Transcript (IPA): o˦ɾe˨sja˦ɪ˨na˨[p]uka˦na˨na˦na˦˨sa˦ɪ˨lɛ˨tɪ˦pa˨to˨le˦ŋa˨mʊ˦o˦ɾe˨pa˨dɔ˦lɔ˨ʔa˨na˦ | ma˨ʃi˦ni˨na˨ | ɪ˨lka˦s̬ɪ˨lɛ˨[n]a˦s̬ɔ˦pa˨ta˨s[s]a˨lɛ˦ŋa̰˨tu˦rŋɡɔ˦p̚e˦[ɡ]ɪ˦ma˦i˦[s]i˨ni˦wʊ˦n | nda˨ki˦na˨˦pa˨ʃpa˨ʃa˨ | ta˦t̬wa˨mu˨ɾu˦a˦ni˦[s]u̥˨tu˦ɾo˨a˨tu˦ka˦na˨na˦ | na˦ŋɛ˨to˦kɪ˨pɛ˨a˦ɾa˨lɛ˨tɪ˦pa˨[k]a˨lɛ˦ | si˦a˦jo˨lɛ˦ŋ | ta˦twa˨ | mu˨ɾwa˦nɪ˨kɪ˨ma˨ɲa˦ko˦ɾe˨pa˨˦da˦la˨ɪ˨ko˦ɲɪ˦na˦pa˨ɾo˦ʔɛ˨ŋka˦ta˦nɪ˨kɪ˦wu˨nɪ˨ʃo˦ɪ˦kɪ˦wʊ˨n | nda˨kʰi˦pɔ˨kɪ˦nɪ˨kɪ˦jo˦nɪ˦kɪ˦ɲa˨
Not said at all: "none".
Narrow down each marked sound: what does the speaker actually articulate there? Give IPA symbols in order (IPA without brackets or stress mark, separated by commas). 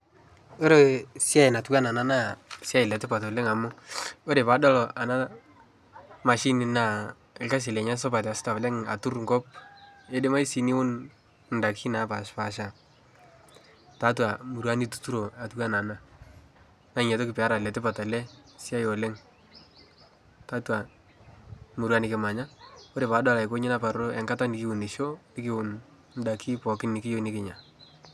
t, ɲ, t, d, s, t, t